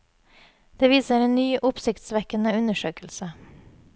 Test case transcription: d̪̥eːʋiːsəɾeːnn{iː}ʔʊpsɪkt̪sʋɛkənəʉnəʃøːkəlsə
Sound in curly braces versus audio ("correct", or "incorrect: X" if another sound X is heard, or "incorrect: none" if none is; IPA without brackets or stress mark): incorrect: yː